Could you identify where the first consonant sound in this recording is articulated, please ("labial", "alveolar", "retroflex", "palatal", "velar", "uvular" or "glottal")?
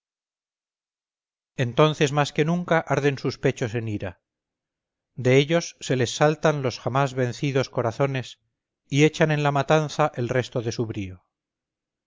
alveolar